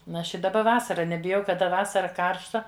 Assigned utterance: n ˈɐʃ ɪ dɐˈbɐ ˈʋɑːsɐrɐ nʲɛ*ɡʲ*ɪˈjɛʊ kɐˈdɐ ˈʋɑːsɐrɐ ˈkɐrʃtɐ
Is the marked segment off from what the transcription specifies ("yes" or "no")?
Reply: yes